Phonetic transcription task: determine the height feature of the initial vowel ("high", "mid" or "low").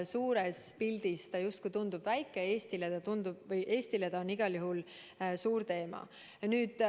high